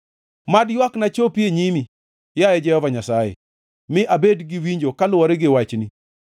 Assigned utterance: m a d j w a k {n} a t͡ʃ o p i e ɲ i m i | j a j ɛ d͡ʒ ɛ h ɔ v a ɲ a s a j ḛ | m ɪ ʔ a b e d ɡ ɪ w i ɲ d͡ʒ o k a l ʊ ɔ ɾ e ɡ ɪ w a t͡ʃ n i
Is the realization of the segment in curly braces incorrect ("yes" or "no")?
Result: no